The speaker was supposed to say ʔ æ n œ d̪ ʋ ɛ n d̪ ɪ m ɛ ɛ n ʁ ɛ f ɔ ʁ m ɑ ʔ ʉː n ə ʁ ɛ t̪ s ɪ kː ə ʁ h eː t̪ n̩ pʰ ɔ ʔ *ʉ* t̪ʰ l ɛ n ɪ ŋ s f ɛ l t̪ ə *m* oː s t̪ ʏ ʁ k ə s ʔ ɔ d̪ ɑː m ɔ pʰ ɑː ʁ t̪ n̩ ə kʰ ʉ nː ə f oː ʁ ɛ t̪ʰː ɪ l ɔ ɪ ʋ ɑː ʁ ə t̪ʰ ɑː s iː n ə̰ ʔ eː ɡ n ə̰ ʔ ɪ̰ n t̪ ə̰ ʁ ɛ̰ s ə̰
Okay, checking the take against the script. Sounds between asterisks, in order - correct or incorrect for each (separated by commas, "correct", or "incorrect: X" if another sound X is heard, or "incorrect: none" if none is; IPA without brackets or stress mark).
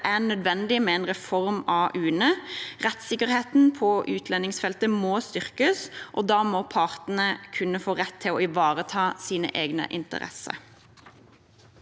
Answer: incorrect: ʉː, correct